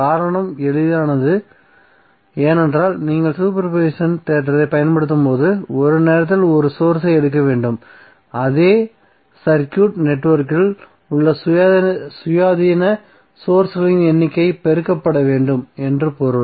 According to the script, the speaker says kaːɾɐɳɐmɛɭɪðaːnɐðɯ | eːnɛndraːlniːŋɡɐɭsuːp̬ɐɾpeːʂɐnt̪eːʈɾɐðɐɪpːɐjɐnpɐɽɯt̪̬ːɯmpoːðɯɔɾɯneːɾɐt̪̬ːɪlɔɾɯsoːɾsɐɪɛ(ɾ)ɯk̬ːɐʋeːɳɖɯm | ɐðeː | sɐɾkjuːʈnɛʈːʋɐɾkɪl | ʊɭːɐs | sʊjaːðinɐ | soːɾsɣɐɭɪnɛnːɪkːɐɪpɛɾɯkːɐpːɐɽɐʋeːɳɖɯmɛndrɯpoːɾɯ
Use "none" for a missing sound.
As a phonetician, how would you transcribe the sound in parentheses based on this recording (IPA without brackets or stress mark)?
ɽ